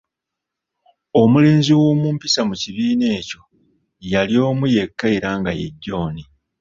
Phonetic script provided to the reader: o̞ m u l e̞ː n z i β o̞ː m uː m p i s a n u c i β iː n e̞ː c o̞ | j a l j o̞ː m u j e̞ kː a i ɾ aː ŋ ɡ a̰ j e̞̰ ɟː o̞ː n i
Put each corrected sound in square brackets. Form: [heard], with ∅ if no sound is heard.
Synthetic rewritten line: o̞ m u l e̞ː n z i [w] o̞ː m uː m p i s a [m] u c i β iː n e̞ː c o̞ | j a l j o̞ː m u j e̞ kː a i ɾ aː ŋ ɡ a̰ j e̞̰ ɟː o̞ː n i